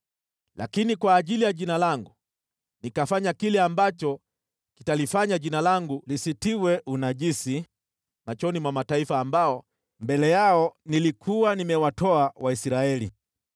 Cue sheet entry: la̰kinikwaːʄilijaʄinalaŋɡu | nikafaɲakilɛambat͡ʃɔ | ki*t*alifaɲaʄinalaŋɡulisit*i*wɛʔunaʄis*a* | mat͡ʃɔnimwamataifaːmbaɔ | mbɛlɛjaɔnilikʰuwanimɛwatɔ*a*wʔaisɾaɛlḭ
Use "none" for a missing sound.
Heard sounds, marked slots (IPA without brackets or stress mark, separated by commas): t, i, i, a